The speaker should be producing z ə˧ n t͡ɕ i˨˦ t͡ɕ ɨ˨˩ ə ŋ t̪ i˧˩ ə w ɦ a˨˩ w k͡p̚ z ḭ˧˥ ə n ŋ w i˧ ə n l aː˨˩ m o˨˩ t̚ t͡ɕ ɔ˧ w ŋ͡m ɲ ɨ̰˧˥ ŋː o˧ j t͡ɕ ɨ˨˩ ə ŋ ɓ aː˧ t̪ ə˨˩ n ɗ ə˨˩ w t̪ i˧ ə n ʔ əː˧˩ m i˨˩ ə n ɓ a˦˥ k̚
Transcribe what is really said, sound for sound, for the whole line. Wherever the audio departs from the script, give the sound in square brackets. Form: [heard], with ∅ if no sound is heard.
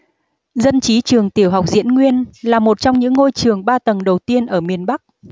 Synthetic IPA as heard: z ə˧ n t͡ɕ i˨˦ t͡ɕ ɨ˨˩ ə ŋ t̪ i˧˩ ə w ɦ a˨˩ w k͡p̚ z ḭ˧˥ ə n ŋ w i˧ ə n l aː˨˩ m o˨˩ t̚ t͡ɕ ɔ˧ w ŋ͡m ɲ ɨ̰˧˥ ŋː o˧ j t͡ɕ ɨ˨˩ ə ŋ ɓ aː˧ t̪ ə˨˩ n ɗ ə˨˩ w t̪ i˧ ə n ʔ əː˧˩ m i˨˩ ə n ɓ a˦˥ k̚